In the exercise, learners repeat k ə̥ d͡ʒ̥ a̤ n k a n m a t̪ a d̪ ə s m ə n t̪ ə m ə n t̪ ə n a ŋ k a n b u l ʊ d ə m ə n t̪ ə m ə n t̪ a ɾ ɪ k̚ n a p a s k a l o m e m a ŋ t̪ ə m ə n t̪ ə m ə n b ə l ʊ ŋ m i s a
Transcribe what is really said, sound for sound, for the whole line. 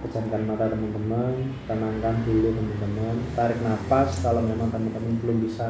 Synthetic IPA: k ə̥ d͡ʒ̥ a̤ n k a n m a t̪ a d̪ ə m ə n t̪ ə m ə n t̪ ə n a ŋ k a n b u l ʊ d ə m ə n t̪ ə m ə n t̪ a ɾ ɪ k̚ n a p a s k a l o m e m a ŋ t̪ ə m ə n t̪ ə m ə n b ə l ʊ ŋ b i s a